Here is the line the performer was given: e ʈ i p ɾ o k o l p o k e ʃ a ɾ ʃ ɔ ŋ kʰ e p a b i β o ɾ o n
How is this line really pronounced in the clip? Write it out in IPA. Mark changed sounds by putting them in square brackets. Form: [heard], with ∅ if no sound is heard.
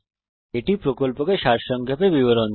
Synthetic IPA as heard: e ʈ i p ɾ o k o l p o k e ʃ a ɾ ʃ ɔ ŋ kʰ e p [e] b i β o ɾ o n